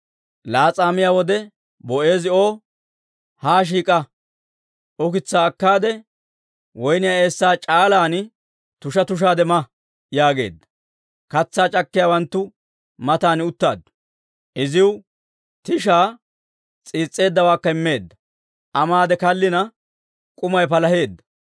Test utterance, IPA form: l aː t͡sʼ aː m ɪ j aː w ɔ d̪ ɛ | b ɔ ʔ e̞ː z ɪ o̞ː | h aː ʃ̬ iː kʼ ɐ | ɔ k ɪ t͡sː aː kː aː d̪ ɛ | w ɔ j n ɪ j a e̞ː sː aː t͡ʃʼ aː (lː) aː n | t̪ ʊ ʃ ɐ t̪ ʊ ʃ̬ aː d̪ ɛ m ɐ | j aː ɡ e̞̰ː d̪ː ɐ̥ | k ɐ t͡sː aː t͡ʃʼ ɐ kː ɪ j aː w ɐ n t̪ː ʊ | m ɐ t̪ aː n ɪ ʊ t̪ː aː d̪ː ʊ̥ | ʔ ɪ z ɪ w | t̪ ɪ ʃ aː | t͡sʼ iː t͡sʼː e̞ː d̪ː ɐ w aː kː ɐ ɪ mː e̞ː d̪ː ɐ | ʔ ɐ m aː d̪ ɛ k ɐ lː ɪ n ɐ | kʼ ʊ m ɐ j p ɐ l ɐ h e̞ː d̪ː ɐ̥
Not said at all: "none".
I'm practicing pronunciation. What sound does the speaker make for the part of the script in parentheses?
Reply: l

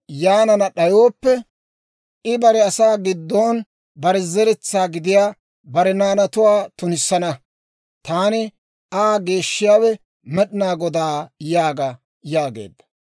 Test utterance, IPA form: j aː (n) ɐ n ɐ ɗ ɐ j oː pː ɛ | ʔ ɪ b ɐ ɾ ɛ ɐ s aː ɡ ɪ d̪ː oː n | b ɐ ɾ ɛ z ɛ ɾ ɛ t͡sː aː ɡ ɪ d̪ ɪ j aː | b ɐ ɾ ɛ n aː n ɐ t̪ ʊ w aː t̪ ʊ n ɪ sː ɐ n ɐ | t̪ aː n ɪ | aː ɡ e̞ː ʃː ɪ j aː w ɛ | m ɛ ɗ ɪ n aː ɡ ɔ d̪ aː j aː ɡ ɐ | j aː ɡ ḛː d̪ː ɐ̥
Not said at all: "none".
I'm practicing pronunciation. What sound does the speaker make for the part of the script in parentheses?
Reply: n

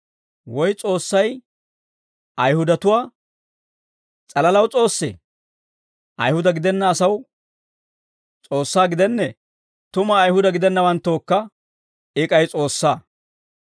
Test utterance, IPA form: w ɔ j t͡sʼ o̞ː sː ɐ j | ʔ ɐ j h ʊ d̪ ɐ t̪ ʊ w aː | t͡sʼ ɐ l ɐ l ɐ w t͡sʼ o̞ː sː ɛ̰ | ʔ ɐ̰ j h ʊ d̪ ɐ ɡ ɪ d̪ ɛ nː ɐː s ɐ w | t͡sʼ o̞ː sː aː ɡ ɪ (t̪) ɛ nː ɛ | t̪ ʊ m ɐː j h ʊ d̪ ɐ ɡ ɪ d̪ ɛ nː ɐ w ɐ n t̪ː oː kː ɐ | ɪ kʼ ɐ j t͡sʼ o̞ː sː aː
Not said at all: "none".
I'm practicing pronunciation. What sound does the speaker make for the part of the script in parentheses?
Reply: d̪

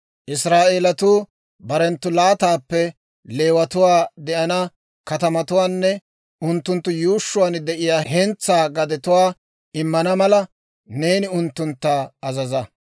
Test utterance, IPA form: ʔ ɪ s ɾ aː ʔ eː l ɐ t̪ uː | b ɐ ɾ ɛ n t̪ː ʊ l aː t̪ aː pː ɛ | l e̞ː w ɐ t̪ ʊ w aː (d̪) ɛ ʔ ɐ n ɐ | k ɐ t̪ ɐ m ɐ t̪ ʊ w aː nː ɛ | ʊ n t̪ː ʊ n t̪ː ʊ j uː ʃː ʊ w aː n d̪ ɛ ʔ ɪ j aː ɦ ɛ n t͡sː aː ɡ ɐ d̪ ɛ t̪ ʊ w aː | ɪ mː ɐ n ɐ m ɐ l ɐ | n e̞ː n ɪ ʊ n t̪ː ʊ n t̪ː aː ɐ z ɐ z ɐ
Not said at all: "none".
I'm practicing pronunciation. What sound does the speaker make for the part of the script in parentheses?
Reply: d̪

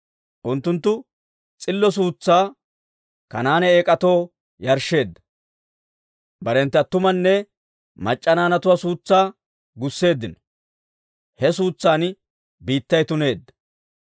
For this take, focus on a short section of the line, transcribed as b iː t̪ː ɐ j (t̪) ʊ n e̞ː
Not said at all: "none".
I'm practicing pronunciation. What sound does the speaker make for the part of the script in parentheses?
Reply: t̪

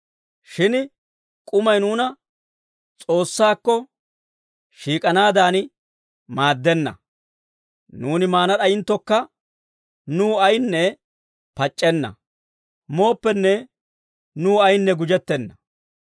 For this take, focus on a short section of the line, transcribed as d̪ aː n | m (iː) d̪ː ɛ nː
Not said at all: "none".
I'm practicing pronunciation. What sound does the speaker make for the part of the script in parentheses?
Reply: aː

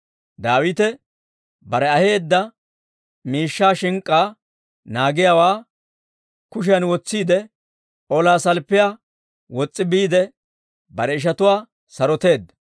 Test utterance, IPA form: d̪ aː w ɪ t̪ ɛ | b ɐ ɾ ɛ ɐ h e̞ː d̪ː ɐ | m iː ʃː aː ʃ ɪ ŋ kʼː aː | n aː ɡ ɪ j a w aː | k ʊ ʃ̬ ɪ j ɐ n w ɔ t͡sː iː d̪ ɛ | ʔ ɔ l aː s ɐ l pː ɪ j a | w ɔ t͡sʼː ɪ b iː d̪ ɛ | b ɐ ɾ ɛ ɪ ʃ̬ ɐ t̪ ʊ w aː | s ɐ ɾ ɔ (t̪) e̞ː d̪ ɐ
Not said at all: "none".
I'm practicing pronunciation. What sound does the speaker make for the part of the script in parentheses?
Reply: t̪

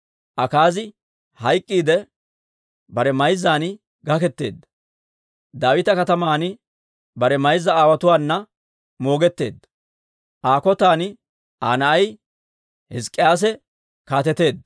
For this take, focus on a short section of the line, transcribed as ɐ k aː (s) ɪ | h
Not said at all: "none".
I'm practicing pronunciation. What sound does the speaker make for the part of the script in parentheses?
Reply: z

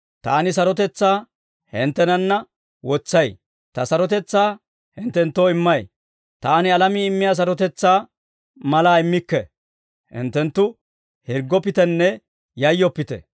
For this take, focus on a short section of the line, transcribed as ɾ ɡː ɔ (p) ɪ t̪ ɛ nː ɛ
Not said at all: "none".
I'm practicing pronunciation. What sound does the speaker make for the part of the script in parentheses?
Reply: p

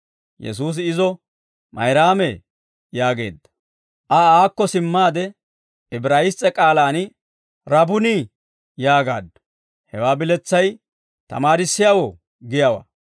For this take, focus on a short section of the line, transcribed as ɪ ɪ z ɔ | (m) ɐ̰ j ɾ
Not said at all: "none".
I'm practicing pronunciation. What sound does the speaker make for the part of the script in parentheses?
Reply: m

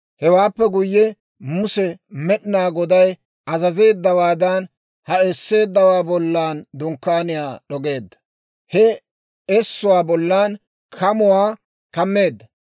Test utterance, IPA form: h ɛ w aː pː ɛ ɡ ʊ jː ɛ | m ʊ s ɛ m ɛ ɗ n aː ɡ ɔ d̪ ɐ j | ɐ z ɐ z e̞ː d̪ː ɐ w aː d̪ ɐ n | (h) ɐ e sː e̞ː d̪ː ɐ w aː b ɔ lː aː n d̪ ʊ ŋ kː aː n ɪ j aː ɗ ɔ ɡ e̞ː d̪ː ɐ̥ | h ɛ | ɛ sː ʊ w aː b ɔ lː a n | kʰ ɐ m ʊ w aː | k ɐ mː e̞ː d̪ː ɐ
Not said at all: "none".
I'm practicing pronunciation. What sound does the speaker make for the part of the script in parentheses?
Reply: h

